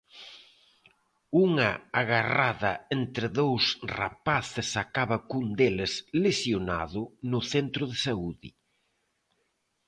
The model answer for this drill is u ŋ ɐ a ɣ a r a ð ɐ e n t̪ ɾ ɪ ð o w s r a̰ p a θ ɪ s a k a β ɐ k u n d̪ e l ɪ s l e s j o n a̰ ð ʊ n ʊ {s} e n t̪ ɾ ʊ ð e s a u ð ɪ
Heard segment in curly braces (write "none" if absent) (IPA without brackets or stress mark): θ